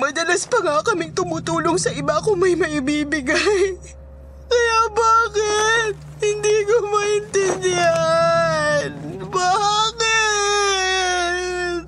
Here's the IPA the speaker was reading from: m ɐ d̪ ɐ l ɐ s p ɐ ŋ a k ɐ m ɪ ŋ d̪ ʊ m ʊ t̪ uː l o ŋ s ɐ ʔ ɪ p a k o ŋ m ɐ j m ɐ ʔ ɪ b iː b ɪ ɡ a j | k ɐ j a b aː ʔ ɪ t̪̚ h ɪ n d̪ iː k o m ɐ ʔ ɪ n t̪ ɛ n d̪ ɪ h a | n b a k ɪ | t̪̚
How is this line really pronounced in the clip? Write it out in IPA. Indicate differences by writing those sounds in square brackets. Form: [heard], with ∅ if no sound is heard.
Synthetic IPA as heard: m ɐ d̪ ɐ l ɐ s p ɐ ŋ a k ɐ m ɪ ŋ [t̪] ʊ m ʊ t̪ uː l o ŋ s ɐ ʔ ɪ [b] a k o ŋ m ɐ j m ɐ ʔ ɪ b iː b ɪ ɡ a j | k ɐ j a b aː [k] ɪ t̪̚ h ɪ n d̪ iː k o m ɐ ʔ ɪ n t̪ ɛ n d̪ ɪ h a | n b a k ɪ | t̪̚